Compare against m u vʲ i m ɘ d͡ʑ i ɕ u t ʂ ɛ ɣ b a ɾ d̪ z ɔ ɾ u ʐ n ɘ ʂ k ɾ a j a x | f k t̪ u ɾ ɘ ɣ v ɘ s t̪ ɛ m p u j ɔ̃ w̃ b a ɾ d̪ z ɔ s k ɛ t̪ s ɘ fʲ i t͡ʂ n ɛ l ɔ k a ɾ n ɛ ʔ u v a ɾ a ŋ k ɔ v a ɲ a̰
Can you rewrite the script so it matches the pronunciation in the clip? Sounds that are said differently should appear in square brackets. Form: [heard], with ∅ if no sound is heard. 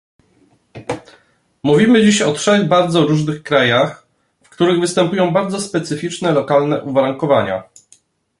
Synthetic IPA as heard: m u vʲ i m ɘ d͡ʑ i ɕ [ɔ] t ʂ ɛ ɣ b a ɾ d̪ z ɔ ɾ u ʐ n ɘ [x] k ɾ a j a x | f k t̪ u ɾ ɘ ɣ v ɘ s t̪ ɛ m p u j ɔ̃ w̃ b a ɾ d̪ z ɔ s [p] ɛ t̪ s ɘ fʲ i t͡ʂ n ɛ l ɔ k a [l] n ɛ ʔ u v a ɾ a ŋ k ɔ v a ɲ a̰